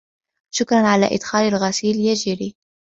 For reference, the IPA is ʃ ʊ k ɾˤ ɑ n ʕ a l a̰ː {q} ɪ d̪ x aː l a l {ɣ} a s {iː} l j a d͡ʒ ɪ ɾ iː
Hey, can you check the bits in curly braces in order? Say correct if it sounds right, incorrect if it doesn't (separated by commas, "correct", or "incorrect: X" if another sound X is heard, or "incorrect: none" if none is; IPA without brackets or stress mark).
incorrect: ʔ, correct, correct